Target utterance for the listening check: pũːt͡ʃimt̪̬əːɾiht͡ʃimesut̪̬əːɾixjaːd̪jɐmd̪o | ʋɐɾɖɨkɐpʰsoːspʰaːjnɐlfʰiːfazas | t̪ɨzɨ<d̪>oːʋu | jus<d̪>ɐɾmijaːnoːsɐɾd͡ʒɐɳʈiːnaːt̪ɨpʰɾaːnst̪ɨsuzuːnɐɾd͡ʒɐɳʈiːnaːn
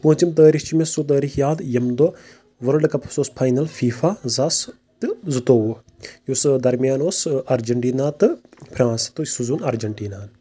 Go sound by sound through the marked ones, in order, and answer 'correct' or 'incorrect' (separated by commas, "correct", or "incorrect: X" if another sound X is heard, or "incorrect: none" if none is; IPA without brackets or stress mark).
incorrect: t̪, correct